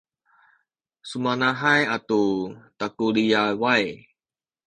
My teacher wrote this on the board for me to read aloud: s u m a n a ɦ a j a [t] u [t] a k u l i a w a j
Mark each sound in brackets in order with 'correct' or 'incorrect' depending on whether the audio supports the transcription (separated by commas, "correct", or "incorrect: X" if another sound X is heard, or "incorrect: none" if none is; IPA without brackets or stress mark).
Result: correct, correct